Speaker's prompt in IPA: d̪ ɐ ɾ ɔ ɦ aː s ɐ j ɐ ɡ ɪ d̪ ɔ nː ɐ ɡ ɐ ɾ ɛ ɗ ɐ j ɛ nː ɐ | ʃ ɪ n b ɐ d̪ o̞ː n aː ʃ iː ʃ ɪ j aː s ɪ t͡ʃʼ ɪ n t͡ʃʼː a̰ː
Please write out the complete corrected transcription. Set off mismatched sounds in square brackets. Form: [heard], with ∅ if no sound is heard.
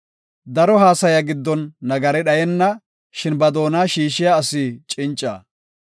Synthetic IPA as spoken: d̪ ɐ ɾ ɔ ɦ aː s ɐ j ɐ ɡ ɪ [d̪ː] ɔ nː ɐ ɡ ɐ ɾ ɛ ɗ ɐ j ɛ nː ɐ | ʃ ɪ n b ɐ d̪ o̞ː n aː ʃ iː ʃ ɪ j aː s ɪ t͡ʃʼ ɪ n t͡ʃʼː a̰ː

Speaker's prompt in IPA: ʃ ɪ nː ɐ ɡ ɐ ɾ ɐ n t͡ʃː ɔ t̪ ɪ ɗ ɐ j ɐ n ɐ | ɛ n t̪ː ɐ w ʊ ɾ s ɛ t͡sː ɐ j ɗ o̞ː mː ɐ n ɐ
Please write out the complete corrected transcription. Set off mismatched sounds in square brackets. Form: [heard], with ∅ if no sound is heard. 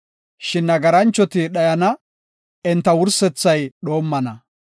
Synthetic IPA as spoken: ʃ ɪ nː ɐ ɡ ɐ ɾ ɐ n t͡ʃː ɔ t̪ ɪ ɗ ɐ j ɐ n ɐ | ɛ n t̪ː ɐ w ʊ ɾ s ɛ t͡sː ɐ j ɗ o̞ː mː ɐ n ɐ

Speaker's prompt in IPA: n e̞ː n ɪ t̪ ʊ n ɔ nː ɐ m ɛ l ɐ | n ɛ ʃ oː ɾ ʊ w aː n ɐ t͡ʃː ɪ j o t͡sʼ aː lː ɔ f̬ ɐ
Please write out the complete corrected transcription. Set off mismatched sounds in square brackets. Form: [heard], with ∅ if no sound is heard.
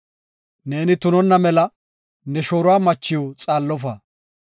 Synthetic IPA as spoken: n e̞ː n ɪ t̪ ʊ n ɔ nː ɐ m ɛ l ɐ | n ɛ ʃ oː ɾ ʊ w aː [m] ɐ t͡ʃː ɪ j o t͡sʼ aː lː ɔ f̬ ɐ

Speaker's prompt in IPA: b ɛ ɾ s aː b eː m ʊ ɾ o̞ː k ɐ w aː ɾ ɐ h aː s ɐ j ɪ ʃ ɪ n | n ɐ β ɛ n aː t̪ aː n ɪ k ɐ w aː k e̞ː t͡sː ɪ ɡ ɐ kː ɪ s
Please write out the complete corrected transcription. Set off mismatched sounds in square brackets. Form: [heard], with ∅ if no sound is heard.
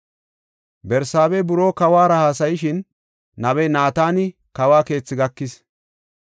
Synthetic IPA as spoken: b ɛ ɾ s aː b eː [b] ʊ ɾ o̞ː k ɐ w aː ɾ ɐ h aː s ɐ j ɪ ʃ ɪ n | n ɐ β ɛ n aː t̪ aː n ɪ k ɐ w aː k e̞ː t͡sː ɪ ɡ ɐ kː ɪ s

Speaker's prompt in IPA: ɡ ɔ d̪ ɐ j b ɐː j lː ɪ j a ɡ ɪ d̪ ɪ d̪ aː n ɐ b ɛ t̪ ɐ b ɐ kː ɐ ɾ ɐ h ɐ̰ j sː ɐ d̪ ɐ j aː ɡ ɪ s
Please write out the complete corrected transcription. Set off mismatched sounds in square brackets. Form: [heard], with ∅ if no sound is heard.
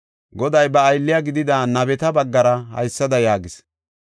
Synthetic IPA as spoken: ɡ ɔ d̪ ɐ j b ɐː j lː ɪ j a ɡ ɪ d̪ ɪ d̪ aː n ɐ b ɛ t̪ ɐ b ɐ [ɡː] ɐ ɾ ɐ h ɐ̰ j sː ɐ d̪ ɐ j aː ɡ ɪ s

